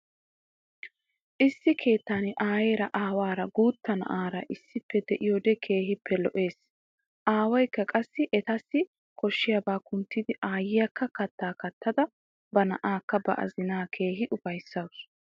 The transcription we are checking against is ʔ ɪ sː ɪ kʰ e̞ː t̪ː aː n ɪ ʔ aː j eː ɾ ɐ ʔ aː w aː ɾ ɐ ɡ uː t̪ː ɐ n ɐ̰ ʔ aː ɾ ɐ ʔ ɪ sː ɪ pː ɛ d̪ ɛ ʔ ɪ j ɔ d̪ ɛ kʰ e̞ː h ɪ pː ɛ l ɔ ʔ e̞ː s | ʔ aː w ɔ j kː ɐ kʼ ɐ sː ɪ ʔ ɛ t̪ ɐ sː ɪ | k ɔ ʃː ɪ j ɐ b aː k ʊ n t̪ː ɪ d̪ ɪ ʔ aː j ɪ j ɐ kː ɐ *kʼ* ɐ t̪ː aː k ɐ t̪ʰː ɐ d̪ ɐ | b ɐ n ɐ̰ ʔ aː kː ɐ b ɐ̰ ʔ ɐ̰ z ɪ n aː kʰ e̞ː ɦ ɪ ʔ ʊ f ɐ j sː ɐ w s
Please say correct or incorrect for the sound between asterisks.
incorrect